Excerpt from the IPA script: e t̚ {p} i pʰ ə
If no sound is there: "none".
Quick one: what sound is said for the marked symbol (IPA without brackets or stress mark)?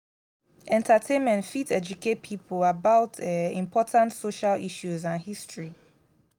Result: pʰ